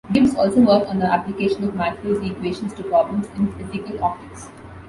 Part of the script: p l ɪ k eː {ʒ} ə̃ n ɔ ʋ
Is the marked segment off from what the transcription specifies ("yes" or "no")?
yes